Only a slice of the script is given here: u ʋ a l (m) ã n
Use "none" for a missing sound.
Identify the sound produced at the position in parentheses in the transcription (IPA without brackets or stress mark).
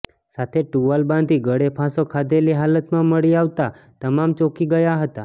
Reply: b